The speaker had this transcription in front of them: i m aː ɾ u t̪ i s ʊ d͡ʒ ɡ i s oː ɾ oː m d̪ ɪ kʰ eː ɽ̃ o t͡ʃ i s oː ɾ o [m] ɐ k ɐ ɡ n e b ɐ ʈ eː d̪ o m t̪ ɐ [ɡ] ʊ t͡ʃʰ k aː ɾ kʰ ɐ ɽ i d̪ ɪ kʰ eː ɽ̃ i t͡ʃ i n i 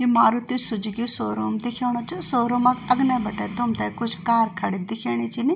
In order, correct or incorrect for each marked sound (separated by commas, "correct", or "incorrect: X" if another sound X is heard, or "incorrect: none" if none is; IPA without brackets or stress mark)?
correct, incorrect: k